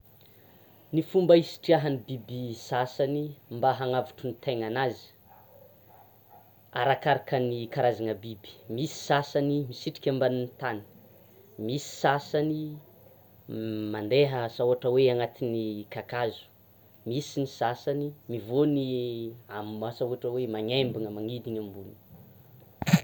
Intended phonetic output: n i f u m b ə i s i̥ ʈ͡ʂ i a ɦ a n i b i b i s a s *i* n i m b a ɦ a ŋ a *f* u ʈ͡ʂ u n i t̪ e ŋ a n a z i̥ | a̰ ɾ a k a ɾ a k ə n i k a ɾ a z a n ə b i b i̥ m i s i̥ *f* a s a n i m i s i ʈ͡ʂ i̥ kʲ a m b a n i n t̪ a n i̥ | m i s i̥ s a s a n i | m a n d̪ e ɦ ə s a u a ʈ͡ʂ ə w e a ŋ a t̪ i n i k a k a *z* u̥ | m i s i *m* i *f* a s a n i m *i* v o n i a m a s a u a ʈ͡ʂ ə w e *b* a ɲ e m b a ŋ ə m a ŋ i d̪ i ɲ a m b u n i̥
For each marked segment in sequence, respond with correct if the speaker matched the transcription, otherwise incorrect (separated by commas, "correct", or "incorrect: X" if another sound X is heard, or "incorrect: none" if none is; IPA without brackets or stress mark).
incorrect: a, incorrect: v, incorrect: s, correct, incorrect: n, incorrect: s, correct, incorrect: m